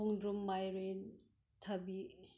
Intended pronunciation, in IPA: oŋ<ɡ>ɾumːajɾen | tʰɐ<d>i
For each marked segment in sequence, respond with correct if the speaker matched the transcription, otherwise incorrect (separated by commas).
incorrect, incorrect